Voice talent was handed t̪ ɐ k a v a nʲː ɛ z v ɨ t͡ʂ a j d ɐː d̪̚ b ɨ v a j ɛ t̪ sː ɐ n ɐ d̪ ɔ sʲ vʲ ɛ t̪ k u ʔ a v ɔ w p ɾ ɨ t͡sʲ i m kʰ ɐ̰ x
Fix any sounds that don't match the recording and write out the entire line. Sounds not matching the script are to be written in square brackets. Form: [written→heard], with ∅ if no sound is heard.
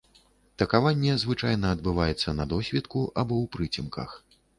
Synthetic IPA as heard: t̪ ɐ k a v a nʲː ɛ z v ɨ t͡ʂ a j [d→n] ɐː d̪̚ b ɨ v a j ɛ t̪ sː ɐ n ɐ d̪ ɔ sʲ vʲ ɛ t̪ k u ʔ a [v→b] ɔ w p ɾ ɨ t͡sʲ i m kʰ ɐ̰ x